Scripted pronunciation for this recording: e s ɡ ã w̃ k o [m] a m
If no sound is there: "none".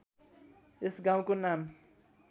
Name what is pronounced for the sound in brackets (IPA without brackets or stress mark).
n